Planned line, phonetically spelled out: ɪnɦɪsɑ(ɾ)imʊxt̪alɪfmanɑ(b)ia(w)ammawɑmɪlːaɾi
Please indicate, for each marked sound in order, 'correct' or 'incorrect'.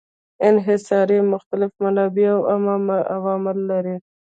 correct, correct, correct

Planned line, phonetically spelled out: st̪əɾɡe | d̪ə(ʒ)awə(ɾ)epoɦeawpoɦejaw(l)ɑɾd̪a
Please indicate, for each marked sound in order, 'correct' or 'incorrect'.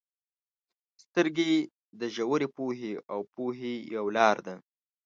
correct, correct, correct

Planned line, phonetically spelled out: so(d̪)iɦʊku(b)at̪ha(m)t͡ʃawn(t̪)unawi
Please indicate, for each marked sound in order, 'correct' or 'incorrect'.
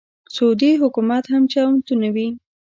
correct, incorrect: m, correct, correct

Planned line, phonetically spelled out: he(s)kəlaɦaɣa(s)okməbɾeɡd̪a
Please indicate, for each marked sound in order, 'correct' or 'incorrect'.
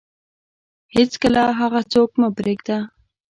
incorrect: t͡s, incorrect: t͡s

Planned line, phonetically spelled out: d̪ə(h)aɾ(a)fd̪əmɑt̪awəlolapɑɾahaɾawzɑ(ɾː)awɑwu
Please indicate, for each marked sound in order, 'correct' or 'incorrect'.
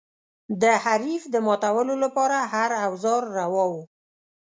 correct, incorrect: i, correct

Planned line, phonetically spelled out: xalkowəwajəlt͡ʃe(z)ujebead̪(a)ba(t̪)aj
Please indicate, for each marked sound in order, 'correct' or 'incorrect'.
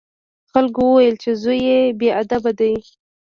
correct, correct, incorrect: d̪

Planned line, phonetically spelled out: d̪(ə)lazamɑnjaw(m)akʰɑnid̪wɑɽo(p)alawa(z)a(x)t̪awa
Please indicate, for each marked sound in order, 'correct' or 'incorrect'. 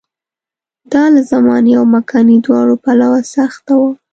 incorrect: ɑ, correct, correct, incorrect: s, correct

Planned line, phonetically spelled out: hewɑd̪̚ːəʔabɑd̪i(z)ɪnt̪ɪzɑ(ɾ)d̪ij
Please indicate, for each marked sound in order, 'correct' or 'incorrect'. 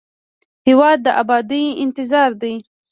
incorrect: none, correct

